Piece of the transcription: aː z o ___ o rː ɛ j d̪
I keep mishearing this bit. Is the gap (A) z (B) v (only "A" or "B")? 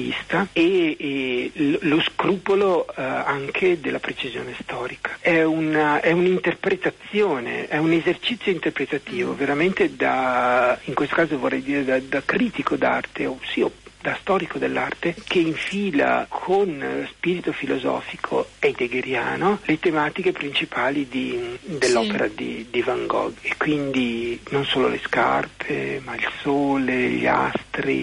B